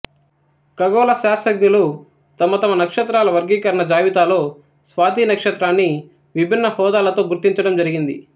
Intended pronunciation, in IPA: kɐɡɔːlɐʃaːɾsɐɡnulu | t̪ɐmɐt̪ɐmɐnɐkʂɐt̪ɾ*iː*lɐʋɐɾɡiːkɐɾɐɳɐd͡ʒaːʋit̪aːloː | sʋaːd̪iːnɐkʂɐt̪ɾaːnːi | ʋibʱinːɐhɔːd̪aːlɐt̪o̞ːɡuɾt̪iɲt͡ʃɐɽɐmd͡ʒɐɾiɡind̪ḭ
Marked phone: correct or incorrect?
incorrect: aː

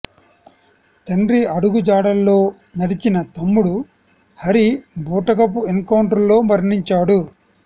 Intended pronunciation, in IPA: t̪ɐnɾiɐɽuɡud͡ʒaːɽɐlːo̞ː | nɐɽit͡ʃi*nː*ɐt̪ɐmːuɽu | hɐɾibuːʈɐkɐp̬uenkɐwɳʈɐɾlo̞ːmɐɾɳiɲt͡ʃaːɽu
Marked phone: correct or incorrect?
incorrect: n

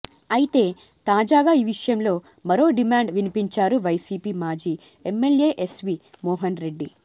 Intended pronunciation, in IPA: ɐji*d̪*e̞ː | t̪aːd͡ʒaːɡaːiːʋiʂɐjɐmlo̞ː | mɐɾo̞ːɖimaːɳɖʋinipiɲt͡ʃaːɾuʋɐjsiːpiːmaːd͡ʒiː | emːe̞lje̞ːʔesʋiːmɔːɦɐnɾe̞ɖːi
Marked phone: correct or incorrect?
incorrect: t̪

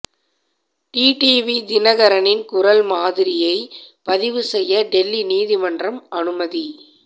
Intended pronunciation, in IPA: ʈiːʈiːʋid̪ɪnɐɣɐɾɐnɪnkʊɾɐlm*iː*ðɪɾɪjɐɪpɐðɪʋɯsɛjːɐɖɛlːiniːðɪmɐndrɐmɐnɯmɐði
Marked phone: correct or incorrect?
incorrect: aː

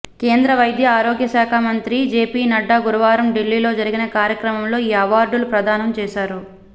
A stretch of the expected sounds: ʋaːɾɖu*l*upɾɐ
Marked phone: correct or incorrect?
correct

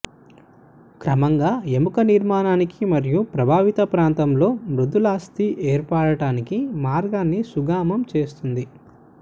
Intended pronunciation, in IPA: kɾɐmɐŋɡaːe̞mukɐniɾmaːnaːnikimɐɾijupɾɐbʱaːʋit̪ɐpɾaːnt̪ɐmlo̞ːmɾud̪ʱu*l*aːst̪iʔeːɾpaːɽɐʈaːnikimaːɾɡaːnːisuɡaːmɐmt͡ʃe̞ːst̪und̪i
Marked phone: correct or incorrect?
correct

